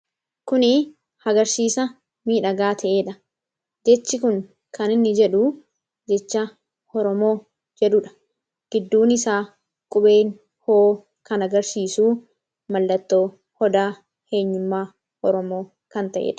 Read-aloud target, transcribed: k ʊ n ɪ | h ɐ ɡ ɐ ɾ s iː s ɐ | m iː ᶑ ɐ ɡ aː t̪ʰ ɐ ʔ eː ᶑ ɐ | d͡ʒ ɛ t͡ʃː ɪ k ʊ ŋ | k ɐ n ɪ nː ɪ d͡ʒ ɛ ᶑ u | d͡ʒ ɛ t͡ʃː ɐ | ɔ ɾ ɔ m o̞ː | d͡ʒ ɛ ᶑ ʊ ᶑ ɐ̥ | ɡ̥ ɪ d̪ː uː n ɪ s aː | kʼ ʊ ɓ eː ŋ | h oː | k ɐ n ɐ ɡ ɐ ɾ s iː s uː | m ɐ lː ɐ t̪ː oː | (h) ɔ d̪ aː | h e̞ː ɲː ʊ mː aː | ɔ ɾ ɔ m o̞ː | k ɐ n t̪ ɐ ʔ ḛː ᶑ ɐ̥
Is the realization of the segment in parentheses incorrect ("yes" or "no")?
no